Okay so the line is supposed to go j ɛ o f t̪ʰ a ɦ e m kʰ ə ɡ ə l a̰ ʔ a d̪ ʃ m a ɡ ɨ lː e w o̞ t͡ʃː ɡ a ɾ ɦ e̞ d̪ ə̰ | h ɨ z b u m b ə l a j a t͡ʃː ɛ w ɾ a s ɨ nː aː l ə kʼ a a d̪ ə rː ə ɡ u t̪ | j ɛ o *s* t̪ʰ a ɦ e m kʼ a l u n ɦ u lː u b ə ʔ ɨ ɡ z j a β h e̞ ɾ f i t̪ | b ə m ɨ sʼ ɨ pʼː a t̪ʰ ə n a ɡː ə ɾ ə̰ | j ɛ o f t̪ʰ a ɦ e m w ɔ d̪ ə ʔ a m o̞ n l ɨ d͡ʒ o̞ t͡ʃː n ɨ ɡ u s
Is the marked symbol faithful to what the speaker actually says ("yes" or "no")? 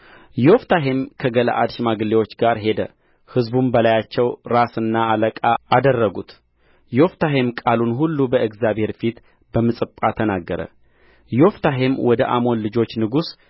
no